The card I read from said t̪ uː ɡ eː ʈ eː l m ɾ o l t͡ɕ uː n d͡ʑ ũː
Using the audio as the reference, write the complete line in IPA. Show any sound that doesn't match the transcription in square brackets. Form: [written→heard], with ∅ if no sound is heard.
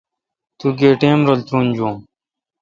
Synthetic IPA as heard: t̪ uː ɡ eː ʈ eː [l→∅] m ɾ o l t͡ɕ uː n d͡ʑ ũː